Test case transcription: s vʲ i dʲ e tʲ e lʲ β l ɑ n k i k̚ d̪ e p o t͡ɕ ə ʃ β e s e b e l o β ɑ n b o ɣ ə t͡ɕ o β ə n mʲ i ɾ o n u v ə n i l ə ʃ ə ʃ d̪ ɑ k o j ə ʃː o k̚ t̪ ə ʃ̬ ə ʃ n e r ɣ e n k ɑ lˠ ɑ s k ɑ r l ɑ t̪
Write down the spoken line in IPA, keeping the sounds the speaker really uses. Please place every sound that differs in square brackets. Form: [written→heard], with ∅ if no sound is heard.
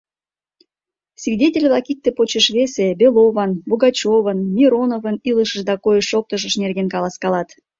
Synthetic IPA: s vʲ i dʲ e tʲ e lʲ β l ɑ [n→∅] k i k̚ [d̪→t̪] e p o t͡ɕ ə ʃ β e s e b e l o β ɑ n b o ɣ [ə→ɑ] t͡ɕ o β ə n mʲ i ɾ o n [u→o] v ə n i l ə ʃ ə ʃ d̪ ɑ k o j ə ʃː o k̚ t̪ ə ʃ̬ ə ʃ n e r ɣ e n k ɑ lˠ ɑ s k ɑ [r→∅] l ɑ t̪